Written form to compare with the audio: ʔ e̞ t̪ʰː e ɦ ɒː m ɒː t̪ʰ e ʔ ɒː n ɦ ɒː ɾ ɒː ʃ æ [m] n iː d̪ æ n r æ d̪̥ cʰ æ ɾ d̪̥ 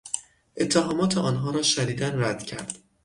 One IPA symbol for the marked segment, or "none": none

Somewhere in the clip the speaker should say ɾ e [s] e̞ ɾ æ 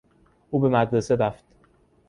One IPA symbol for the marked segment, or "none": s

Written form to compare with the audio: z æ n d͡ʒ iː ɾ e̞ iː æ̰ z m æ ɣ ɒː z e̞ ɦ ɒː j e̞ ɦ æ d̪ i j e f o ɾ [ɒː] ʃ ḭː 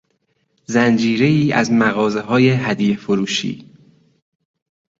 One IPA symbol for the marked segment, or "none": uː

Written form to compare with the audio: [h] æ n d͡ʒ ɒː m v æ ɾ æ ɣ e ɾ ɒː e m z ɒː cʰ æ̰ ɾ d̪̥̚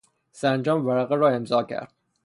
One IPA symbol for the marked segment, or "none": s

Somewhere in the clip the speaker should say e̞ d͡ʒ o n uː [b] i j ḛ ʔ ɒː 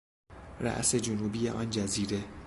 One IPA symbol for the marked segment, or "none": b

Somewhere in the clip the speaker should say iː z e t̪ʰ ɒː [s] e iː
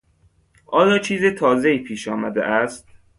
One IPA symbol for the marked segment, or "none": z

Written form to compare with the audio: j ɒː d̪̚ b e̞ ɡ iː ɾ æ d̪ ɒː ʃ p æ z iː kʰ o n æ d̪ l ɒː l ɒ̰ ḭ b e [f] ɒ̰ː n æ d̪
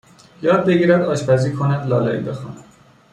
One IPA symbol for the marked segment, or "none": x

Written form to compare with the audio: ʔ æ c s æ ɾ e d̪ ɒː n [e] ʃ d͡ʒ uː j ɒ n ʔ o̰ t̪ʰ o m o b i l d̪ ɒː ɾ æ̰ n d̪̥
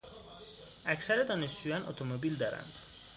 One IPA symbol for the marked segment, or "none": e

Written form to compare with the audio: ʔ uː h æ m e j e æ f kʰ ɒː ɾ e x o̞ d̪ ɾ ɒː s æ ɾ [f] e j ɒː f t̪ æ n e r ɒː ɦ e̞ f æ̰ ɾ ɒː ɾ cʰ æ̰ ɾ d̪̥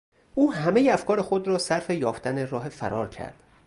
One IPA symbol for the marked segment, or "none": f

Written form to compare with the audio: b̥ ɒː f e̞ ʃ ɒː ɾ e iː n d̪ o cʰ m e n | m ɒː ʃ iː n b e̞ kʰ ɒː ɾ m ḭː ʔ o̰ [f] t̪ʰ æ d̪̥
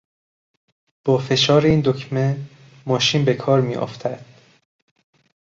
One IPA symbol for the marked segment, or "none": f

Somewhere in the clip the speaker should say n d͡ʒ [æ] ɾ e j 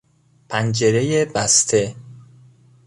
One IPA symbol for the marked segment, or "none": e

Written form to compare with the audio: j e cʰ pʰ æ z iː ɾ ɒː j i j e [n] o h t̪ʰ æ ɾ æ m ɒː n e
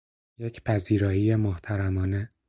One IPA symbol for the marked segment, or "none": m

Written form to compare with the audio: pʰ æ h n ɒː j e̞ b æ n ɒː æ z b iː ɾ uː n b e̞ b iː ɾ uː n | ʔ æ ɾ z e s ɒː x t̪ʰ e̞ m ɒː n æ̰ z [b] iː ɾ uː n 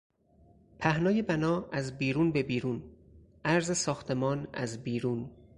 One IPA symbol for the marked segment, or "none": b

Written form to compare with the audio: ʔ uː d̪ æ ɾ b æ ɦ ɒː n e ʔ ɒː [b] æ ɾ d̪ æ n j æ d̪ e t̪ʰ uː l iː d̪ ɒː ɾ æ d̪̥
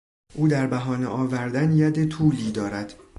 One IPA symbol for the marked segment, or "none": v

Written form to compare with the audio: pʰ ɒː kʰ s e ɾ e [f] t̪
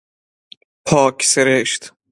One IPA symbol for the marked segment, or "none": ʃ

